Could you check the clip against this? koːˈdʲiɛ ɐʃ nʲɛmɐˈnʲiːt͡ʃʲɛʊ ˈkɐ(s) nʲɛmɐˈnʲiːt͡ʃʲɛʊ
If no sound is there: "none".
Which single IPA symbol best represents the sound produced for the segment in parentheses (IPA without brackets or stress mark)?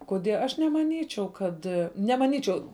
t